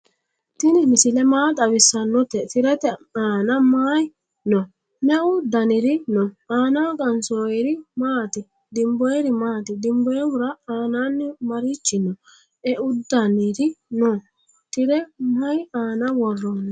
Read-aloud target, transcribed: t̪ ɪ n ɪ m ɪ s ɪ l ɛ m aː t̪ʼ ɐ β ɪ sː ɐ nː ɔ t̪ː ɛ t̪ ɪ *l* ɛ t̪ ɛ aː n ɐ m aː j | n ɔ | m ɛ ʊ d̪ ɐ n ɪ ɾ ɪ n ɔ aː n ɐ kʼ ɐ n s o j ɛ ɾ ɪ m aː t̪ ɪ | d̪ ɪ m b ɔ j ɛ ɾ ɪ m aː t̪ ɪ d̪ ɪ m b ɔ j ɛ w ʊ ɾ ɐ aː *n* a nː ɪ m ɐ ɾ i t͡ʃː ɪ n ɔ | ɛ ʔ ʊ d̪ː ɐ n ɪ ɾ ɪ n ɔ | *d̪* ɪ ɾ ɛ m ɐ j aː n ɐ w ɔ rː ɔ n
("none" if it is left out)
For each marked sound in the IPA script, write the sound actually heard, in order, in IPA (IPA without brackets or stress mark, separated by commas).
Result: ɾ, n, t̪